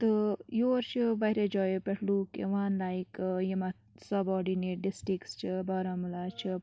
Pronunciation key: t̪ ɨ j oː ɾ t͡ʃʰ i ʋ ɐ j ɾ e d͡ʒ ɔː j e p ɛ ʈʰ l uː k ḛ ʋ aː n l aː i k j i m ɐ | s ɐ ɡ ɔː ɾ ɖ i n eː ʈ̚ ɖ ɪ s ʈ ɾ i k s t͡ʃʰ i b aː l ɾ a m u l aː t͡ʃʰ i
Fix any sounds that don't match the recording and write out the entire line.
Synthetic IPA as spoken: t̪ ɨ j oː ɾ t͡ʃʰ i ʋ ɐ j ɾ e d͡ʒ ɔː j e p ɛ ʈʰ l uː k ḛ ʋ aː n l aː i k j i m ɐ | s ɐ b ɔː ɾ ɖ i n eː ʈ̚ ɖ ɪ s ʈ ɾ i k s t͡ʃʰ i b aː ɾ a m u l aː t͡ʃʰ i